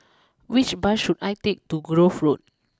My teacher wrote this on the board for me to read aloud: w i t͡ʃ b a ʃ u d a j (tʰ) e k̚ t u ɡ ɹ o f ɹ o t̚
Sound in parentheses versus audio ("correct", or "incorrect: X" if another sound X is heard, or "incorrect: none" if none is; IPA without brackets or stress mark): incorrect: t